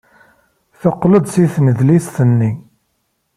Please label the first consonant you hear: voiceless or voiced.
voiceless